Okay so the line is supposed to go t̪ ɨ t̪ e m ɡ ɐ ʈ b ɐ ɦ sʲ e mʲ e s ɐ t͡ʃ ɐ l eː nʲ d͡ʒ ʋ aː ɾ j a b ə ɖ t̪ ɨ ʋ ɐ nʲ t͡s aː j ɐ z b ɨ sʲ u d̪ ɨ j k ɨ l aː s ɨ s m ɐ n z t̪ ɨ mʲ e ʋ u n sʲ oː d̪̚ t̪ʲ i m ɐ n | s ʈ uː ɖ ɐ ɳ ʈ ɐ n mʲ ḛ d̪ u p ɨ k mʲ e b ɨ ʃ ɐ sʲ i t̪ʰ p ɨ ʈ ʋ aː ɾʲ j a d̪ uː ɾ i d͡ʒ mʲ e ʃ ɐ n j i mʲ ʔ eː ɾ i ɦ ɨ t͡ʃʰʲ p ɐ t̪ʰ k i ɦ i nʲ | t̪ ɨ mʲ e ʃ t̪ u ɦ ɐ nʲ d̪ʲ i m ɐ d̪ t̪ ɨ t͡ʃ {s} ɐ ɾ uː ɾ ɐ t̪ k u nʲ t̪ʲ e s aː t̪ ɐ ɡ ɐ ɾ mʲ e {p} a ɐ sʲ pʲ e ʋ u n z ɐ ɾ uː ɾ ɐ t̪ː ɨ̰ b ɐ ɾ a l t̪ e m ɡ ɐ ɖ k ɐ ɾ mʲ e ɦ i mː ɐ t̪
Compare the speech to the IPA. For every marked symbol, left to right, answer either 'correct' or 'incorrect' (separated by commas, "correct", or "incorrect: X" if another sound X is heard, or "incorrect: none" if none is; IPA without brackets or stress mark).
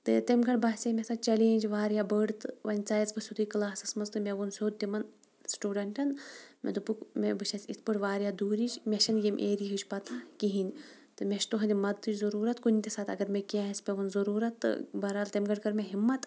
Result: incorrect: z, incorrect: k